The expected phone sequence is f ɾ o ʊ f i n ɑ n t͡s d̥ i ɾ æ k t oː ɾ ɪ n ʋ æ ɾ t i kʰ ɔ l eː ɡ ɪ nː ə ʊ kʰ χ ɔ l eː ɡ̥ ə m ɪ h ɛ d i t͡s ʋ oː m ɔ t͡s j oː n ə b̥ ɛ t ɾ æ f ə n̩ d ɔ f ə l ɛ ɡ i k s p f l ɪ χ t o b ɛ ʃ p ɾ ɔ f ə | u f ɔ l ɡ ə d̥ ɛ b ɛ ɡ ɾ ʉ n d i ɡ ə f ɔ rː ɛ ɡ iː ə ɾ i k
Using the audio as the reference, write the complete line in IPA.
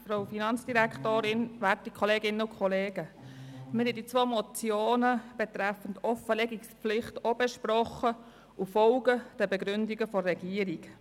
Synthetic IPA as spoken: f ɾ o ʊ f i n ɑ n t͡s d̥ i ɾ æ k t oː ɾ ɪ n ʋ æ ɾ t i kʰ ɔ l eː ɡ ɪ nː ə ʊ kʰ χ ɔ l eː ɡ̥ ə m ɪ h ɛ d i t͡s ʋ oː m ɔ t͡s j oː n ə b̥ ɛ t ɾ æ f ə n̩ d ɔ f ə l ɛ ɡ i k s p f l ɪ χ t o b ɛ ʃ p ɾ ɔ χ ə | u f ɔ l ɡ ə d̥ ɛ b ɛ ɡ ɾ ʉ n d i ɡ ə f ɔ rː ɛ ɡ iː ə ɾ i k